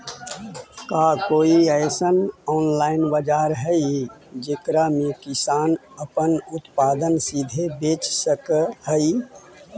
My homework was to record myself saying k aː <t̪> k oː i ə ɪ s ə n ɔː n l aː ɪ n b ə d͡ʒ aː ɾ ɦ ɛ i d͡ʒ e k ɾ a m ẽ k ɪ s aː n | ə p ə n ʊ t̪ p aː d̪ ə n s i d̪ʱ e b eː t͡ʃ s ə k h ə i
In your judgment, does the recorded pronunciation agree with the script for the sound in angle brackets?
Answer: no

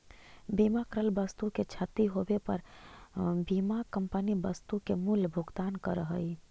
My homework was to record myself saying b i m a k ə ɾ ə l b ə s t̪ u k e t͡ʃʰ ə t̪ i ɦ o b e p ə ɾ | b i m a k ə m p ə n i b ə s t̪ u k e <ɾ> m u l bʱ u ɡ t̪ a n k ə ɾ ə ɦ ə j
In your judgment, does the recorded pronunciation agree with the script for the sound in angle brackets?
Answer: no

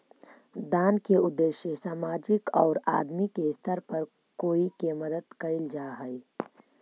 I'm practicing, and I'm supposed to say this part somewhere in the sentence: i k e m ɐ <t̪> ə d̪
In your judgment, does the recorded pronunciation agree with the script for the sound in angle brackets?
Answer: no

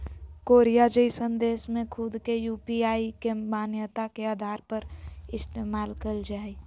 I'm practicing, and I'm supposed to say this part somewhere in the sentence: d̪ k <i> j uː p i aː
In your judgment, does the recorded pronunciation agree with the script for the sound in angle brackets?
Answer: no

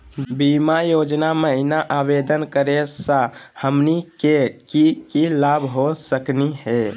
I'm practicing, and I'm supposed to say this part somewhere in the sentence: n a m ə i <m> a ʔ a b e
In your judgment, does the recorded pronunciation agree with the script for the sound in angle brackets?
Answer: no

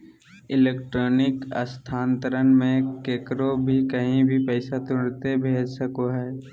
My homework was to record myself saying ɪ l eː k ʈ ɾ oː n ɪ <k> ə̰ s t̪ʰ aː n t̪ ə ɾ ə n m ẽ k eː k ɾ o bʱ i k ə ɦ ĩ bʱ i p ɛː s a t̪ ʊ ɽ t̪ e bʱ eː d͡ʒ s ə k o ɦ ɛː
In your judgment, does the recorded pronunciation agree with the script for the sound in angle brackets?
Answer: yes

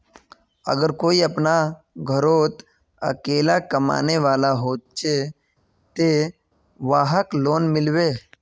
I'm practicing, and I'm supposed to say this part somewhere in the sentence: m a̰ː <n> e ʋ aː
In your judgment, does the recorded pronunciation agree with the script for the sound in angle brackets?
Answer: yes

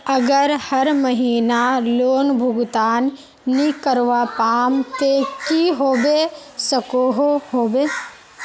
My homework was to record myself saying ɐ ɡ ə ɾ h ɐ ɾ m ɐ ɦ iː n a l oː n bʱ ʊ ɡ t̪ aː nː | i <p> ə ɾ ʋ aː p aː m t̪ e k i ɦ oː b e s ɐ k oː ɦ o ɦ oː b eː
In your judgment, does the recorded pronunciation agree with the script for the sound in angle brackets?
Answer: no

